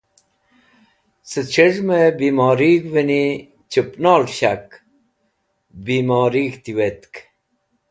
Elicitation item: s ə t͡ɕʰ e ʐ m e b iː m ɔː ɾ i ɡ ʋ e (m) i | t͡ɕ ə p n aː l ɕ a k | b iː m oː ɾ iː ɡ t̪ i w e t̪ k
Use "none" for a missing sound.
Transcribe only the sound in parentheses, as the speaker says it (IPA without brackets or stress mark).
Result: n